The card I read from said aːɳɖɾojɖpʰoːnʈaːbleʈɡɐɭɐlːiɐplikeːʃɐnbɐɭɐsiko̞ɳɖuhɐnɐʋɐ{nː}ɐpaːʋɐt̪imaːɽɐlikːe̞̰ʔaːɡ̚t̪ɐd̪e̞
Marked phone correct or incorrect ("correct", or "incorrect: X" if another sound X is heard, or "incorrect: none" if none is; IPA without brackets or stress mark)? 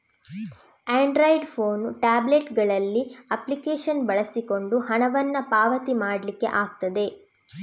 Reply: correct